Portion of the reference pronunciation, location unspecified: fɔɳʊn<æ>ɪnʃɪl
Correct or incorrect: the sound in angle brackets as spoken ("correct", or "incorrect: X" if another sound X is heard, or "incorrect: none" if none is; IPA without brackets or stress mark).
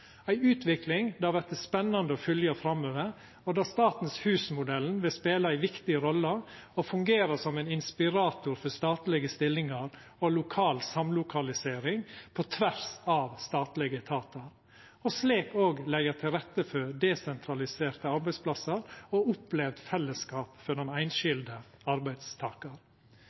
correct